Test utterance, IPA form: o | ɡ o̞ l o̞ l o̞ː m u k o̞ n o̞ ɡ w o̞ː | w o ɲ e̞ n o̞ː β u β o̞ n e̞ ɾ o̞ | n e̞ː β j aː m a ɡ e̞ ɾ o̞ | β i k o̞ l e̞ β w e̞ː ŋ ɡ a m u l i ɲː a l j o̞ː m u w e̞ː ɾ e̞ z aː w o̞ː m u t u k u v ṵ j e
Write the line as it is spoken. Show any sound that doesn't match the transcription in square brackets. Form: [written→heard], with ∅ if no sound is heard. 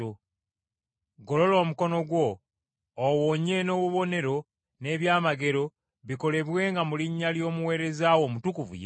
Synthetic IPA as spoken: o | ɡ o̞ l o̞ l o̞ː m u k o̞ n o̞ ɡ w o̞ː | w o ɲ e̞ n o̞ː β u β o̞ n e̞ ɾ o̞ | n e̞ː β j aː m a ɡ e̞ ɾ o̞ | β i k o̞ l e̞ β w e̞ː ŋ ɡ a m u l i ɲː a l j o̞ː m u w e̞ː ɾ e̞ z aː w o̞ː m u t u k u v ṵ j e